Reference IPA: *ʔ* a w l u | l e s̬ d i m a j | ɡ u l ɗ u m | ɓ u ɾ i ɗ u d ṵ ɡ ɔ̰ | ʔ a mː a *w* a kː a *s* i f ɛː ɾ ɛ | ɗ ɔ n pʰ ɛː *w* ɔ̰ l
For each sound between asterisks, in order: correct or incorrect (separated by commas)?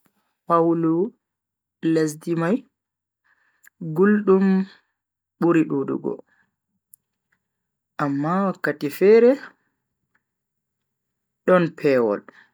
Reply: incorrect, correct, incorrect, correct